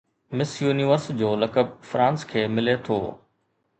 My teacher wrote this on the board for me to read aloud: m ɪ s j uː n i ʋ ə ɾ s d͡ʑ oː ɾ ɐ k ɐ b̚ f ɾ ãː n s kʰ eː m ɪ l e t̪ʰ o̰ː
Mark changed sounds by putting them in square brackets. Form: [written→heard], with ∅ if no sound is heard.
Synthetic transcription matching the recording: m ɪ s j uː n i ʋ ə ɾ s d͡ʑ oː [ɾ→l] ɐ k [ɐ→ə] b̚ f ɾ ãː n s kʰ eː m ɪ l e t̪ʰ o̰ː